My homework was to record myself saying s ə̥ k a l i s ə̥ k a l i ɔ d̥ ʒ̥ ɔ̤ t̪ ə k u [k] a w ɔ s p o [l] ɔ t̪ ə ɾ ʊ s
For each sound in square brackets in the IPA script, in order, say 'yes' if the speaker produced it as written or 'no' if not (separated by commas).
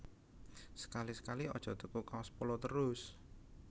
yes, yes